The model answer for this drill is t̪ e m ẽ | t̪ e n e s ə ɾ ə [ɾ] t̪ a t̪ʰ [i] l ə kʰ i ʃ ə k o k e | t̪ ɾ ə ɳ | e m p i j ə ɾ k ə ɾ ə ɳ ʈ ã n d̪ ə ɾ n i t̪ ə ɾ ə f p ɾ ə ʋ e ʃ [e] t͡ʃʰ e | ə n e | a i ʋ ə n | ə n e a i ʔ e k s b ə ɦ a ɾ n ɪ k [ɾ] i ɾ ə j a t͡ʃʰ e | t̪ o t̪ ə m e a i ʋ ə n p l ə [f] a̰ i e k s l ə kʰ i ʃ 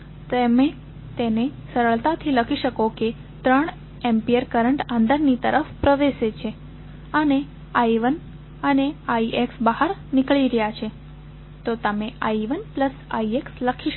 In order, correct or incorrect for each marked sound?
incorrect, correct, correct, incorrect, incorrect

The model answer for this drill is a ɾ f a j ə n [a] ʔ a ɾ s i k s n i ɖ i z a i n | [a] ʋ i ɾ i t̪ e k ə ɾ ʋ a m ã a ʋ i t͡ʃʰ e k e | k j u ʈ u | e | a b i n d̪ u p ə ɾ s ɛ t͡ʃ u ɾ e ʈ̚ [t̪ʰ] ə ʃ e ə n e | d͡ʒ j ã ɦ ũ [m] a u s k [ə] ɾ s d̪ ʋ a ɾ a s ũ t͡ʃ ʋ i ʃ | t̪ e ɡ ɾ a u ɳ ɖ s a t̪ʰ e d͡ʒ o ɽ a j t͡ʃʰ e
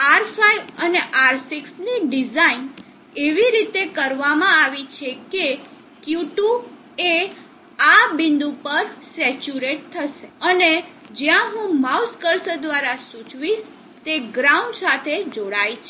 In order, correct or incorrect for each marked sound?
incorrect, incorrect, correct, correct, correct

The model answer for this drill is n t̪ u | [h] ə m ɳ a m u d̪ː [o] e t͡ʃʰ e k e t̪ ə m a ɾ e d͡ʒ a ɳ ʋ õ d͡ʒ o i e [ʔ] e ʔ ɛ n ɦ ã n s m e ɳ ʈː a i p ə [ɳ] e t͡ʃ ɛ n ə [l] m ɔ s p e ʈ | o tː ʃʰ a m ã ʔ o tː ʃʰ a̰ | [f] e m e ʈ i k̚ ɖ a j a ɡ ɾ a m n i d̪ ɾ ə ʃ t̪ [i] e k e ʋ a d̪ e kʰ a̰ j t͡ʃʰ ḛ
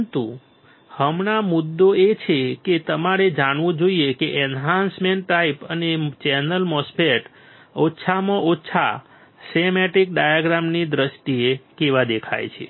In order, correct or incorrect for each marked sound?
correct, correct, incorrect, incorrect, correct, incorrect, correct

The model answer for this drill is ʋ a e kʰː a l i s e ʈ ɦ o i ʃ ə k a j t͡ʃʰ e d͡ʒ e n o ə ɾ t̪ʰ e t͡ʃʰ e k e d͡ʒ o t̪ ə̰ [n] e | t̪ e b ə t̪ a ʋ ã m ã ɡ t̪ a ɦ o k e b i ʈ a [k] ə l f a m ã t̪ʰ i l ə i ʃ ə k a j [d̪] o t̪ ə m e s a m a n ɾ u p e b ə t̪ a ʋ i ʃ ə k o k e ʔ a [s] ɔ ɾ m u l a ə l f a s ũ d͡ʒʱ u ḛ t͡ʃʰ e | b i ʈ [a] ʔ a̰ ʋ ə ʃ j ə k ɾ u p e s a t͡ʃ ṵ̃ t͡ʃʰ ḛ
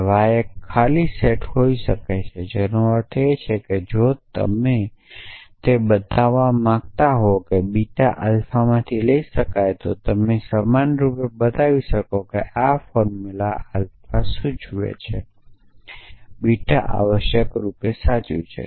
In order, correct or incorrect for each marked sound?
incorrect, incorrect, incorrect, incorrect, correct

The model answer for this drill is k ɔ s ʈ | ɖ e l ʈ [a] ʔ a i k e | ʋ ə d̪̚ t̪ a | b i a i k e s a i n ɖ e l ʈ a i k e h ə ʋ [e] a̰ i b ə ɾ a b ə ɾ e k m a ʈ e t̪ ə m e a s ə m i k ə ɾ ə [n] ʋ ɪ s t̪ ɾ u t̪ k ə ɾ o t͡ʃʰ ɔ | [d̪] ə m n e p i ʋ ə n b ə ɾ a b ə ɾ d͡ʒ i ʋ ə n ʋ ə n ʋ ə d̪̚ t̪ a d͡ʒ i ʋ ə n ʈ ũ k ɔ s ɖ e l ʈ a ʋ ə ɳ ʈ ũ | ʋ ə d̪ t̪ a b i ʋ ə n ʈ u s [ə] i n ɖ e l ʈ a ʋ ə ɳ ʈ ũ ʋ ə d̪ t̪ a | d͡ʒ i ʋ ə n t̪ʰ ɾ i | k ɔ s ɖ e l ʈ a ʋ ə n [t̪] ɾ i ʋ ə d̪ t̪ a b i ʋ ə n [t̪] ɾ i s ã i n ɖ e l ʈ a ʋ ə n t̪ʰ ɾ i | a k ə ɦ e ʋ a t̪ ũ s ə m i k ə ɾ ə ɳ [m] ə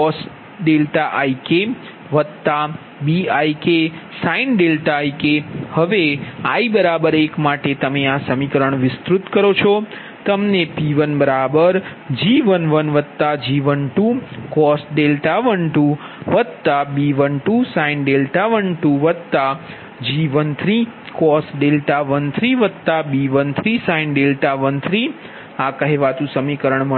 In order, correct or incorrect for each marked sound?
correct, correct, incorrect, incorrect, incorrect, incorrect, incorrect, correct

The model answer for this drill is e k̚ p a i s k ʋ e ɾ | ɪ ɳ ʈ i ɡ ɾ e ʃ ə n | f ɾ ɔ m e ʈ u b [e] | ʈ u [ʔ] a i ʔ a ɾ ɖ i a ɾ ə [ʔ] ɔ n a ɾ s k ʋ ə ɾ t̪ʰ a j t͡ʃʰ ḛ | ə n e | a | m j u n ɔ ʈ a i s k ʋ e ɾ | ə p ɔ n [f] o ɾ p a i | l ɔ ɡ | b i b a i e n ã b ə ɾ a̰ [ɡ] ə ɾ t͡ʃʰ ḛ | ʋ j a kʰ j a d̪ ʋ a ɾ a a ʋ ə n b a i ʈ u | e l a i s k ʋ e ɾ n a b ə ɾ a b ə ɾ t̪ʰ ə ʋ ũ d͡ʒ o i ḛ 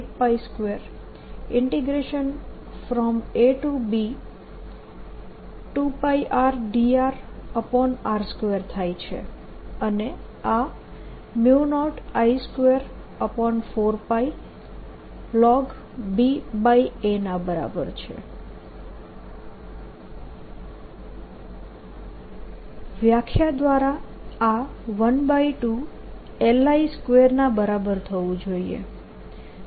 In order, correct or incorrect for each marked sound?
incorrect, incorrect, incorrect, correct, incorrect

